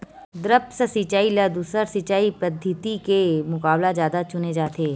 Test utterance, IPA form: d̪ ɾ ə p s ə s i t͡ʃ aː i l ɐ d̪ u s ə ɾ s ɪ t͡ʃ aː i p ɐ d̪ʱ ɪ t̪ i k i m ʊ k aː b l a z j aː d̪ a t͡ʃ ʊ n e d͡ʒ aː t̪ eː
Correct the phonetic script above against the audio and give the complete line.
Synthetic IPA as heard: d̪ ɾ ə p s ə s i t͡ʃ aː i l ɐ d̪ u s ə ɾ s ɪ t͡ʃ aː i p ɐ d̪ʱ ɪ t̪ i k e m ʊ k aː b l a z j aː d̪ a t͡ʃ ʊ n e d͡ʒ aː t̪ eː